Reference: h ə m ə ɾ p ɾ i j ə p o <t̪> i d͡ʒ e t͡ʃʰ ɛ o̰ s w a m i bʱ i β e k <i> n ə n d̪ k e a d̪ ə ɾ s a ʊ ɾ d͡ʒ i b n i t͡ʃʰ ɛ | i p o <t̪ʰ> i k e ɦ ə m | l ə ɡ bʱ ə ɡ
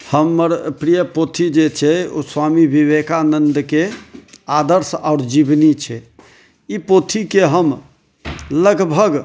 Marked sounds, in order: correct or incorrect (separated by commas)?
incorrect, incorrect, correct